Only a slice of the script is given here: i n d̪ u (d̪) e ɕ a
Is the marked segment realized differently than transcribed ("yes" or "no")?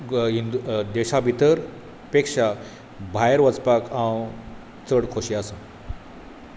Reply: no